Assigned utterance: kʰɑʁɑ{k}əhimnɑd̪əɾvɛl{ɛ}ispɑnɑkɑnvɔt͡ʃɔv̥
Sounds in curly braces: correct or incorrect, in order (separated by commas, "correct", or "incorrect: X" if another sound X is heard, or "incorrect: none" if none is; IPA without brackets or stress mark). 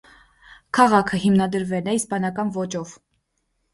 incorrect: kʰ, correct